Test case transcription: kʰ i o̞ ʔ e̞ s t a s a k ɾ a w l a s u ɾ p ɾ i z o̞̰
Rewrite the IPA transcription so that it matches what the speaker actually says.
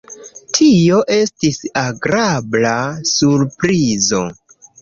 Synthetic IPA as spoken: tʰ i o̞ ʔ e̞ s t i s a ɡ ɾ a b l a s u ɾ p ɾ i z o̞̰

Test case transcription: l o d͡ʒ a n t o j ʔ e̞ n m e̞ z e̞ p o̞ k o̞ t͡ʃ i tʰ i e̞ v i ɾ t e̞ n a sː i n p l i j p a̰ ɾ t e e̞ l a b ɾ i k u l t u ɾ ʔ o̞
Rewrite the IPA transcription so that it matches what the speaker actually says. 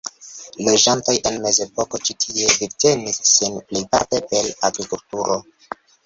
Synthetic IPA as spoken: l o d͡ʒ a n t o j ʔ e̞ n m e̞ z e̞ p o̞ k o̞ t͡ʃ i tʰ i e̞ v i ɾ t e̞ n i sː i n p l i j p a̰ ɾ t e e̞ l a ɡ ɾ i k u l t u ɾ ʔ o̞

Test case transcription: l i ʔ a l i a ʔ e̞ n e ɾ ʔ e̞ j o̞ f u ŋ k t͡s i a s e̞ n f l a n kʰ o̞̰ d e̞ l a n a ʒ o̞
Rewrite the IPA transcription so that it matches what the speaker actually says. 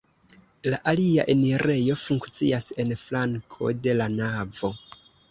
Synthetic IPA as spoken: l a ʔ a l i a ʔ e̞ n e ɾ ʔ e̞ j o̞ f u ŋ k t͡s i a s e̞ n f l a ŋ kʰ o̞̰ d e̞ l a n a v o̞

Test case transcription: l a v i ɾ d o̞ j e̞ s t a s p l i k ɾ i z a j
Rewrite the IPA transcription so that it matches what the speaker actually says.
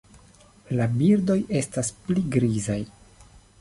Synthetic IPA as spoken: l a b i ɾ d o̞ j e̞ s t a s p l i ɡ ɾ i z a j

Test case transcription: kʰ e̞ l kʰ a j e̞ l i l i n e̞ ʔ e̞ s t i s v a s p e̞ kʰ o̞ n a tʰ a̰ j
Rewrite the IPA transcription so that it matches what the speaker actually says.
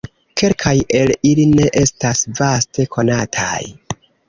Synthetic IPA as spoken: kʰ e̞ l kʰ a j e̞ l i l i n e̞ ʔ e̞ s t a s v a s t e̞ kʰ o̞ n a tʰ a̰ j

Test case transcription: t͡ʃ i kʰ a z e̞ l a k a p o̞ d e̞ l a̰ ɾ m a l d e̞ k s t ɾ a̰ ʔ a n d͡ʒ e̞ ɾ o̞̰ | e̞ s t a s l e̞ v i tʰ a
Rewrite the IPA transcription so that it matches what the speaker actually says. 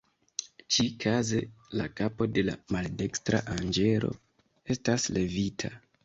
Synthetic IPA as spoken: t͡ʃ i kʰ a z e̞ l a k a p o̞ d e̞ l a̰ m a l d e̞ k s t ɾ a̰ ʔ a n d͡ʒ e̞ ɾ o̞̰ | e̞ s t a s l e̞ v i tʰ a

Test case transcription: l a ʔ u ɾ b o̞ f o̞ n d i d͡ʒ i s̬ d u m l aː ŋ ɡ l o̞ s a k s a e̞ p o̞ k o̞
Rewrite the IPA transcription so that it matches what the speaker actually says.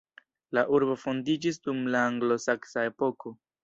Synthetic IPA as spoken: l a ʔ u ɾ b o̞ f o̞ n d i d͡ʒ i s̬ d u m l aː ŋ ɡ l o̞ s a k s a e̞ p o̞ k o̞

